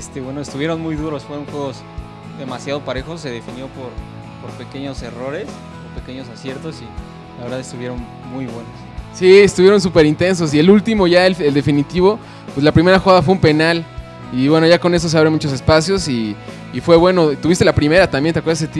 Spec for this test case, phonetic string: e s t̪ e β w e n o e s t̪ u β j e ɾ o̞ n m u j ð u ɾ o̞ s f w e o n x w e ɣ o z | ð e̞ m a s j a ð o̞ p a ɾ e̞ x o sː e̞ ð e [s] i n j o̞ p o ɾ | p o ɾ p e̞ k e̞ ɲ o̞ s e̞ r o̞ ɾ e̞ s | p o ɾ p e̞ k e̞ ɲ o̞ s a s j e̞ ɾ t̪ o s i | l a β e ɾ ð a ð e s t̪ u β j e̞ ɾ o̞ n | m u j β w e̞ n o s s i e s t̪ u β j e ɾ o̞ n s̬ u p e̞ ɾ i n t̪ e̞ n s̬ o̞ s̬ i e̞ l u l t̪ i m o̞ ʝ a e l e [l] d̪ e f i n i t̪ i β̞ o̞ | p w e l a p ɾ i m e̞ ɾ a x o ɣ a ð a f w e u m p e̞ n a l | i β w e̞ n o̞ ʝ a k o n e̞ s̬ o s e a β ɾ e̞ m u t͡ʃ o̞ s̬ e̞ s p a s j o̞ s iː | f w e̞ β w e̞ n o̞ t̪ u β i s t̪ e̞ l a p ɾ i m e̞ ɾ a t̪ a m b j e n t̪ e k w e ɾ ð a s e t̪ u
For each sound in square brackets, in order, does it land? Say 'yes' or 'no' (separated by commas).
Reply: no, yes